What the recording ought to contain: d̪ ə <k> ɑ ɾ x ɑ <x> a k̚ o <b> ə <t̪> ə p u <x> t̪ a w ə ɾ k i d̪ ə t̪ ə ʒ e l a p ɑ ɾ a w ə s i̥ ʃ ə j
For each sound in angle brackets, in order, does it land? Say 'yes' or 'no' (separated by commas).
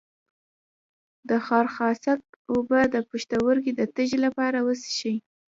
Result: no, no, yes, no, no